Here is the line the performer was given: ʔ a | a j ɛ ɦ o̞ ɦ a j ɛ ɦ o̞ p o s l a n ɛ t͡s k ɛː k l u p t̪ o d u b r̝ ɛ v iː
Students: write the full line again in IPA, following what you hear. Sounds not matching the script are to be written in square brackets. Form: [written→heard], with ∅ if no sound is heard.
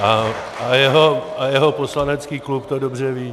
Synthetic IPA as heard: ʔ a | a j ɛ ɦ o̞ [ɦ→∅] a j ɛ ɦ o̞ p o s l a n ɛ t͡s k [ɛː→iː] k l u p t̪ o d [u→o] b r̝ ɛ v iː